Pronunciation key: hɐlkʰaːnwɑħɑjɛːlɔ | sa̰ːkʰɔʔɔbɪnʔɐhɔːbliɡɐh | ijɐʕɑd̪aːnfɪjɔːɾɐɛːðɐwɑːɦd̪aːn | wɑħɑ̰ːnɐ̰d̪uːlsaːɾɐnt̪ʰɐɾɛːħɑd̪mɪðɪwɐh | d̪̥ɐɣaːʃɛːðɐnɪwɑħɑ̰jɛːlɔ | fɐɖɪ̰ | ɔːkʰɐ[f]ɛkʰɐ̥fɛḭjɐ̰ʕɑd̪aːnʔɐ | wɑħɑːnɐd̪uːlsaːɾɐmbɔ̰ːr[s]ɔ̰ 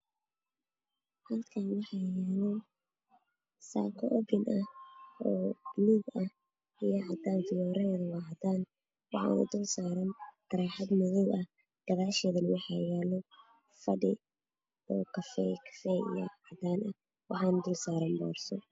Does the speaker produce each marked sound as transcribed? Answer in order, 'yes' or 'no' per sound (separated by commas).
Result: yes, yes